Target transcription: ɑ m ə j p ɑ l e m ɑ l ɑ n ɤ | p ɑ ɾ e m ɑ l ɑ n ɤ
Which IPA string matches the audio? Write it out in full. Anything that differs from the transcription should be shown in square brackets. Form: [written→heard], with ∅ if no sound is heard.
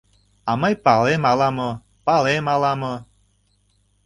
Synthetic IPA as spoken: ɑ m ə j p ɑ l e m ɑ l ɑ [n→m] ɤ | p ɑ [ɾ→l] e m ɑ l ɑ [n→m] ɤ